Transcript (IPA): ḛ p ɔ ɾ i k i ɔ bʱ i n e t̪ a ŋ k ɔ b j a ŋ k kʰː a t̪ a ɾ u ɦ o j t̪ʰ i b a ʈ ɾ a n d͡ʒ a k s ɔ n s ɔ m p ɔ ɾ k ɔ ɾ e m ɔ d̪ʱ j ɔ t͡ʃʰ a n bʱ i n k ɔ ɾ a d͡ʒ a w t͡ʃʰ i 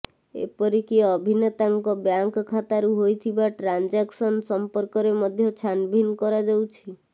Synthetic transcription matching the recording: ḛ p ɔ ɾ i k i ɔ bʱ i n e t̪ a ŋ k ɔ b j a ŋ k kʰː a t̪ a ɾ u ɦ o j t̪ʰ i b a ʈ ɾ a n d͡ʒ a k s ɔ n s ɔ m p ɔ ɾ k ɔ ɾ e m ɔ d̪ʱ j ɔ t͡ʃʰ a n bʱ i n k ɔ ɾ a d͡ʒ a w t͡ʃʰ i